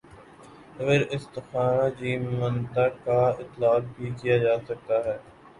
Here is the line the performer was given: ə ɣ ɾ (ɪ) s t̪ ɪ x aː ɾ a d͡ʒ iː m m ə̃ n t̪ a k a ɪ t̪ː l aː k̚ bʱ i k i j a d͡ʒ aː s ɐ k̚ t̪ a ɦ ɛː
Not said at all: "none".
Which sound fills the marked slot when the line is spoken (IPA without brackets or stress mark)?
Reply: ɪ